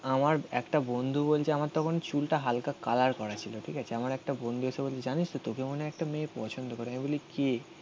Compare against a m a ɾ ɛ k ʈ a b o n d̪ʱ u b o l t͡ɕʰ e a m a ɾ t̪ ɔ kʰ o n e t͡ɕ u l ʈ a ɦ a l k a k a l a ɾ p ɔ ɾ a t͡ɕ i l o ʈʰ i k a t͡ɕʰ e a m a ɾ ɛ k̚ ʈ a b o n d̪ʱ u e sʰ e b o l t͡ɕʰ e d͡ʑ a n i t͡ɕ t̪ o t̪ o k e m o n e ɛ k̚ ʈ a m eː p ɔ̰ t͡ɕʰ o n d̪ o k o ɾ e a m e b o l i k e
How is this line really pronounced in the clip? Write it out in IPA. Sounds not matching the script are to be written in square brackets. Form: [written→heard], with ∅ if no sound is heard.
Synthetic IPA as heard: a m a ɾ ɛ k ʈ a b o n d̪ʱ u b o l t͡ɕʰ e a m a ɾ t̪ ɔ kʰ o n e t͡ɕ u l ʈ a ɦ a l k a k a l a ɾ [p→k] ɔ ɾ a [t͡ɕ→t͡ɕʰ] i l o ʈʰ i k a t͡ɕʰ e a m a ɾ ɛ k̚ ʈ a b o n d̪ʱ u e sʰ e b o l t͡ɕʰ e d͡ʑ a n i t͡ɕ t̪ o t̪ o k e m o n e ɛ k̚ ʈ a m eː p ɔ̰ t͡ɕʰ o n d̪ o k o ɾ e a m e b o l i k e